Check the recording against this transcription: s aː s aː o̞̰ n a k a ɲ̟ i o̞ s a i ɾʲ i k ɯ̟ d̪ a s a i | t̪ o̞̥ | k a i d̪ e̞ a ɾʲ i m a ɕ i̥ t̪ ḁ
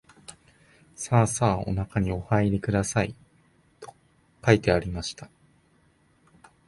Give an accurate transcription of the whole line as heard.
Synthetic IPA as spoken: s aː s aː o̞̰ n a k a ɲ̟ i o̞ h a i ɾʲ i k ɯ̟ d̪ a s a i | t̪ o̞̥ | k a i t̪ e̞ a ɾʲ i m a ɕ i̥ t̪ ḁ